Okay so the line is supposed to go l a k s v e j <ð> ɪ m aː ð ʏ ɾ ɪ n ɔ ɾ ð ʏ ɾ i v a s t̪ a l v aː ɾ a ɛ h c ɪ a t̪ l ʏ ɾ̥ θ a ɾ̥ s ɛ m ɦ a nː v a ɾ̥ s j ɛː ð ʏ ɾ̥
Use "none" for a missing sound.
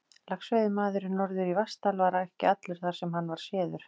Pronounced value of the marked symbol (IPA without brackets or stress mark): ð